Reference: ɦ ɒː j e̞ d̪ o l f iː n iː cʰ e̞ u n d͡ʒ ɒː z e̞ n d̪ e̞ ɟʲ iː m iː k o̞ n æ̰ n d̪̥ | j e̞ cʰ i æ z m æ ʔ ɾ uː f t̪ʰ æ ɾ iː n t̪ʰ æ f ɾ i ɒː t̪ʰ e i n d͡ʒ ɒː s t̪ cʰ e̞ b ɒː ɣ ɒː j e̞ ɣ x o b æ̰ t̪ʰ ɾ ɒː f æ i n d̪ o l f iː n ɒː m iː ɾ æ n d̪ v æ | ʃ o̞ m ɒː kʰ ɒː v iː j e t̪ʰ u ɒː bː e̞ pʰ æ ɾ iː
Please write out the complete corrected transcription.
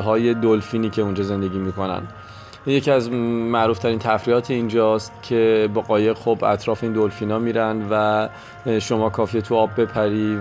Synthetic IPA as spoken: ɦ ɒː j e̞ d̪ o l f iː n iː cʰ e̞ u n d͡ʒ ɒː z e̞ n d̪ e̞ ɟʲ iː m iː k o̞ n æ̰ n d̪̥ | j e̞ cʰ i æ z m æ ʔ ɾ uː f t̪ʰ æ ɾ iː n t̪ʰ æ f ɾ i ɒː t̪ʰ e i n d͡ʒ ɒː s t̪ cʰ e̞ b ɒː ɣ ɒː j e̞ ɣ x o b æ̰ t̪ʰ ɾ ɒː f e i n d̪ o l f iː n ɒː m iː ɾ æ n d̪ v æ | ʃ o̞ m ɒː kʰ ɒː f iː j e t̪ʰ u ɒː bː e̞ pʰ æ ɾ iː